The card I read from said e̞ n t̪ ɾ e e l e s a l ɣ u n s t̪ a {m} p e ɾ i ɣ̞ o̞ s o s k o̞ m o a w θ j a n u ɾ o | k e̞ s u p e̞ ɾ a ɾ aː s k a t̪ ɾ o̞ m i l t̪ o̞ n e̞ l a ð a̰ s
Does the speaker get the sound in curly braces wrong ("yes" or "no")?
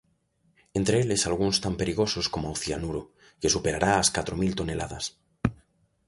no